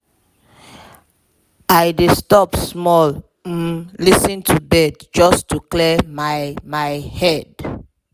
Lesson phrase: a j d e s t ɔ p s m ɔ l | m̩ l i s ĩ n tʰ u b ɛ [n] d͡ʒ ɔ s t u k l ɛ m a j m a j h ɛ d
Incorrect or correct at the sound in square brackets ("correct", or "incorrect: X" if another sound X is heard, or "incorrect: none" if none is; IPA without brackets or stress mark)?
incorrect: d